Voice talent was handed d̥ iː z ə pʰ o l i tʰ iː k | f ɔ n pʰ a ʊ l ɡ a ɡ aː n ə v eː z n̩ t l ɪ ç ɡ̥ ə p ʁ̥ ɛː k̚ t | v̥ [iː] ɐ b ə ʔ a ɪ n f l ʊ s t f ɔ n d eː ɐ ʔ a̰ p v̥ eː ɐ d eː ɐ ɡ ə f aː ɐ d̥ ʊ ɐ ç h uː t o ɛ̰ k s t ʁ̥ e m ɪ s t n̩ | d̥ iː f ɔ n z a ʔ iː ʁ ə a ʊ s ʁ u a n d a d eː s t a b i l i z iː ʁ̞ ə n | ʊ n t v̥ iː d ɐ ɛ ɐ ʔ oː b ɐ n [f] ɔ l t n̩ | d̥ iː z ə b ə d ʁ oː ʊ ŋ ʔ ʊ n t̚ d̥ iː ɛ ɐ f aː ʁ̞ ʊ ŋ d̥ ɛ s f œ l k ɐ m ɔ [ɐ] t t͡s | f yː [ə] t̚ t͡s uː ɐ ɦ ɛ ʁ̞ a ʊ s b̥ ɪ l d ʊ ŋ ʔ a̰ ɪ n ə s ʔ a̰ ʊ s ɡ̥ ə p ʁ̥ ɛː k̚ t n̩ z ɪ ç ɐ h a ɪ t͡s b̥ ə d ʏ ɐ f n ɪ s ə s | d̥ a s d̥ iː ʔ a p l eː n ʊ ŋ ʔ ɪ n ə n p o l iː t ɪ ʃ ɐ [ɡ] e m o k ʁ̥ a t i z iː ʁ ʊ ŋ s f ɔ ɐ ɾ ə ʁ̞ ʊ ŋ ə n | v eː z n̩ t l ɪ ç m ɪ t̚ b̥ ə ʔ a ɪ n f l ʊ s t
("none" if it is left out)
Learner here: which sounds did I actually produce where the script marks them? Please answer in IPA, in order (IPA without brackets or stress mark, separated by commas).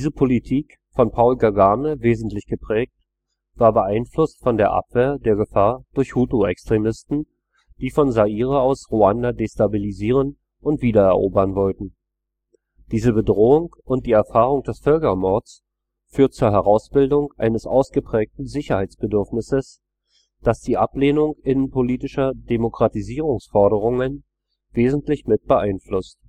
aː, v, ɐ, ɐ, d